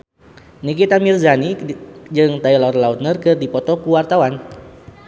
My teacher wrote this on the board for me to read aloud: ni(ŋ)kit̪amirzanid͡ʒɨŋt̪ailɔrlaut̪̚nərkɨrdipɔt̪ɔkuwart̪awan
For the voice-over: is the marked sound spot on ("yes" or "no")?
no